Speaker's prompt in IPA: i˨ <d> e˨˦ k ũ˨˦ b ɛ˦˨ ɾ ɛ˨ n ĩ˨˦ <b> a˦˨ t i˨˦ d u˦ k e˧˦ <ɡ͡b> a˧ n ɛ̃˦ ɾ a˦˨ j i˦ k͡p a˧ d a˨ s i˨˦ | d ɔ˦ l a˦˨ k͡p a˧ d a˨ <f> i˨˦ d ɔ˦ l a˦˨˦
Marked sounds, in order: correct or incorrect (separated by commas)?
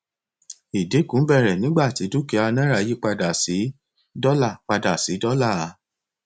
correct, incorrect, incorrect, incorrect